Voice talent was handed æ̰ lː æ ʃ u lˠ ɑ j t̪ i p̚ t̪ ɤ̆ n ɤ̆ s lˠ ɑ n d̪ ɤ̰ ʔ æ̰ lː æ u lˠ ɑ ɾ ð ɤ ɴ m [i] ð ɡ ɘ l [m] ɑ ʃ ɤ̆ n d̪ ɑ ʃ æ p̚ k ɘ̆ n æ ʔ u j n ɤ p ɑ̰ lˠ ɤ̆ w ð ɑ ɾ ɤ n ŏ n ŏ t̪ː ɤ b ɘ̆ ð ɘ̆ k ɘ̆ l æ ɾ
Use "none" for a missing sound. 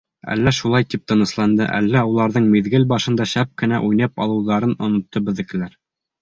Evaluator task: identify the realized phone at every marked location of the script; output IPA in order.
i, b

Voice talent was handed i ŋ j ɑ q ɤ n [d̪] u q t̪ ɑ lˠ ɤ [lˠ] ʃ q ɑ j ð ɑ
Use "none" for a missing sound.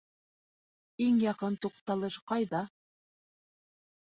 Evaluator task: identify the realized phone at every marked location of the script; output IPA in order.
t̪, none

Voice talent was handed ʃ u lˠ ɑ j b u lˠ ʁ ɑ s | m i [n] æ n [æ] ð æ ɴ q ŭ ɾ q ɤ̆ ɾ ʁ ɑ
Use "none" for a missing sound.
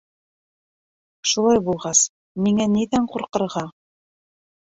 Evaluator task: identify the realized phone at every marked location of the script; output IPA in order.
ŋ, i

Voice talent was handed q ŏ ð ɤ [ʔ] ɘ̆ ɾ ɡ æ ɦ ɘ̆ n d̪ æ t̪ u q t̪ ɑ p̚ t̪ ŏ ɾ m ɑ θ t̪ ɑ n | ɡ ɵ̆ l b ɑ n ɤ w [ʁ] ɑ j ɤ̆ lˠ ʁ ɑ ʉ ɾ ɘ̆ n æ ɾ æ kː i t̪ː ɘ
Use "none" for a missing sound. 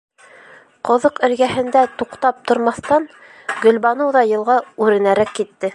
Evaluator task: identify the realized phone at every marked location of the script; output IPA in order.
q, ð

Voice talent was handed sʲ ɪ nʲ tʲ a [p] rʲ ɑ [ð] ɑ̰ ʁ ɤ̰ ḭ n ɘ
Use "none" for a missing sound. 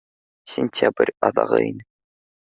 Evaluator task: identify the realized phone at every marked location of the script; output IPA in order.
b, ð

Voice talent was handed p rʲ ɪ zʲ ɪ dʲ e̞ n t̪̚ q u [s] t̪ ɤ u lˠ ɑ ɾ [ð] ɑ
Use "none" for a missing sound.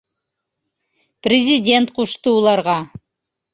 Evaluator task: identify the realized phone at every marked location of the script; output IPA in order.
ʃ, ʁ

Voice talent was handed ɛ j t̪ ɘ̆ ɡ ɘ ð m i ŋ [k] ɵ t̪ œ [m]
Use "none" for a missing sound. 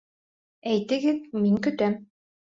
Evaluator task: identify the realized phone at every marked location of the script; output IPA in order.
k, m

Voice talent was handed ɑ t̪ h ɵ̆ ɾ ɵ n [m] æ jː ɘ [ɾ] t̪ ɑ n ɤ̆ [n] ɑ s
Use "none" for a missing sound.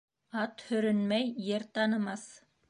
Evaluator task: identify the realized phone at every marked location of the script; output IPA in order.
m, ɾ, m

